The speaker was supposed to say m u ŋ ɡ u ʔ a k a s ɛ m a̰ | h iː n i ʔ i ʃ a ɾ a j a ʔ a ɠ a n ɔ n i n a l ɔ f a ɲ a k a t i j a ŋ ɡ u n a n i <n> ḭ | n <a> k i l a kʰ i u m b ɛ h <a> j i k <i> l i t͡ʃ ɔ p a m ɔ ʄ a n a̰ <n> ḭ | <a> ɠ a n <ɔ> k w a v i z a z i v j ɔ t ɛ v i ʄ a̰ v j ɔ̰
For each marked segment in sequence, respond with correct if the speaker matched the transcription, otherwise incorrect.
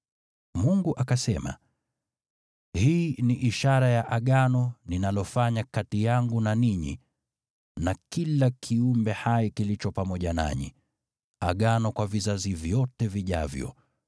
incorrect: ɲ, correct, correct, correct, incorrect: ɲ, correct, correct

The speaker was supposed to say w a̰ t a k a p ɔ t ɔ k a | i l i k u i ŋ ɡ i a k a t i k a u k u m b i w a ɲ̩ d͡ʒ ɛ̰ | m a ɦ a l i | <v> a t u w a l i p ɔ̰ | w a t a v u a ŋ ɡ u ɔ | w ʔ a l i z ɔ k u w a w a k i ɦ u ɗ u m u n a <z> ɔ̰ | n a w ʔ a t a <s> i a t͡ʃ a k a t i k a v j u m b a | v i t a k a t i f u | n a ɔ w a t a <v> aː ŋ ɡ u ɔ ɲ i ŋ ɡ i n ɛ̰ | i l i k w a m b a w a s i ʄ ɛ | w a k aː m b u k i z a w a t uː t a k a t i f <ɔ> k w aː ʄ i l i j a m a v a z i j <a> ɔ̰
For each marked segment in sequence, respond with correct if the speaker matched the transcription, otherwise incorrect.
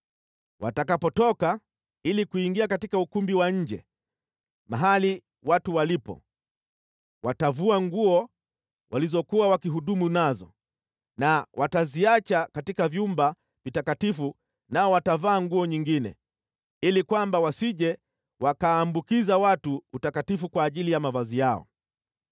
incorrect: w, correct, incorrect: z, correct, incorrect: u, correct

